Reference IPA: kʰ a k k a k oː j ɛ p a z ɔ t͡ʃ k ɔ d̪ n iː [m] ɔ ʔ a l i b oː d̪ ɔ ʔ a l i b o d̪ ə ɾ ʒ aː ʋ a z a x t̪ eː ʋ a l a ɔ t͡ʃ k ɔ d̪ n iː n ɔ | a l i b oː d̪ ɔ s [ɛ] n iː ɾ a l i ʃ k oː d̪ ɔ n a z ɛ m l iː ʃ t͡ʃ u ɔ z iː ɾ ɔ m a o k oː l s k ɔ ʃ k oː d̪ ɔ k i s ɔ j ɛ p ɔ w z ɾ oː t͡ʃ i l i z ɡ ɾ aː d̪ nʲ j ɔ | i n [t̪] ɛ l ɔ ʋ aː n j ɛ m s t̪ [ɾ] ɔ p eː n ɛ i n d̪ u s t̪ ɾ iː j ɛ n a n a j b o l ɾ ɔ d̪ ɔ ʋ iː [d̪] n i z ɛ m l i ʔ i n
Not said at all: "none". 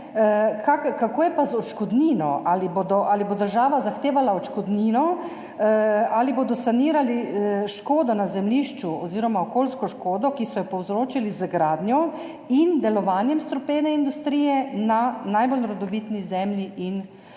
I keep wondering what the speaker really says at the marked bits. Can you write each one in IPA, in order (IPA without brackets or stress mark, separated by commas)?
n, a, d̪, ɾ, t̪